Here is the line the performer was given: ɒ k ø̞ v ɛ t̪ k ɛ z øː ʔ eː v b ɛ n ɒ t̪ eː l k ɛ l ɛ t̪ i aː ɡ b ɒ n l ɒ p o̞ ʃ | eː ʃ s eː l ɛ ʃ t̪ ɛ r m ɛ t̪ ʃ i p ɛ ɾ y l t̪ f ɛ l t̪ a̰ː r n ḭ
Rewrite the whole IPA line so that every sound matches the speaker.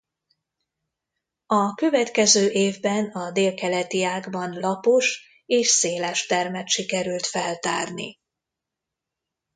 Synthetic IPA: ɒ k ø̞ v ɛ t̪ k ɛ z øː ʔ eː v b ɛ n ɒ d̪ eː l k ɛ l ɛ t̪ i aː ɡ b ɒ n l ɒ p o̞ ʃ | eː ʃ s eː l ɛ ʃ t̪ ɛ r m ɛ t̪ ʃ i k ɛ ɾ y l t̪ f ɛ l t̪ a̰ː r n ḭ